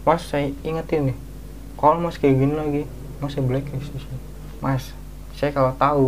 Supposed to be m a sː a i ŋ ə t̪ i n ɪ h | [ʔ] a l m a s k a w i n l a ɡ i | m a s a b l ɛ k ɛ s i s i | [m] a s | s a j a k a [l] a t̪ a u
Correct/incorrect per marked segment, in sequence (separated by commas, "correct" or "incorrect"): incorrect, correct, correct